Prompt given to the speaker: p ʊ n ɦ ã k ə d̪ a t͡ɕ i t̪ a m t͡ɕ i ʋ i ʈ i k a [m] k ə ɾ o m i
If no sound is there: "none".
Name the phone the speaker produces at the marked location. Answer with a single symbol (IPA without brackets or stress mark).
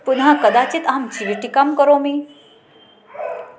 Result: m